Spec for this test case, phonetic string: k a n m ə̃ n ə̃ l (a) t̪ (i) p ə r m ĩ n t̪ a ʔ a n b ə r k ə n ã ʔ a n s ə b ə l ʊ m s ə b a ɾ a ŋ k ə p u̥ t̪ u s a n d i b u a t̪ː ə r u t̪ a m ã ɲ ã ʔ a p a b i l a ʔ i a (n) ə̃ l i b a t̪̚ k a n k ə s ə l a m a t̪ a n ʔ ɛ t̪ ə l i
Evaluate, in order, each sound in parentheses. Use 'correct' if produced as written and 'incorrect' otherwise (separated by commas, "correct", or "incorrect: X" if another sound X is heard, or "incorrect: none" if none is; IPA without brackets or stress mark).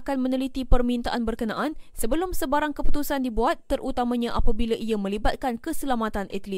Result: incorrect: i, correct, incorrect: m